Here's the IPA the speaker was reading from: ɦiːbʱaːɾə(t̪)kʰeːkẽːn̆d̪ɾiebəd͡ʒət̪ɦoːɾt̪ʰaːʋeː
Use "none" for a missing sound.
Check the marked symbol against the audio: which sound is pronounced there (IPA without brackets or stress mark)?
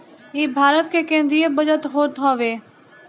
t̪